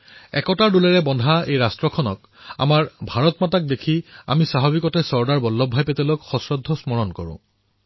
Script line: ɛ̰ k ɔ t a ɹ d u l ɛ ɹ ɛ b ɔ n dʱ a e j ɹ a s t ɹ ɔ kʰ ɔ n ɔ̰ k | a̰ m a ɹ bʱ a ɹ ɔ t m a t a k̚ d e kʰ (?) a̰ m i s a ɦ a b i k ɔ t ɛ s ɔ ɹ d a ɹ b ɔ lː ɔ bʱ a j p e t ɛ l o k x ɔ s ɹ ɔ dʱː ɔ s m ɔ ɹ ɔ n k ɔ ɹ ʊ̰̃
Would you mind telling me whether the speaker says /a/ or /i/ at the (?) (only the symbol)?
i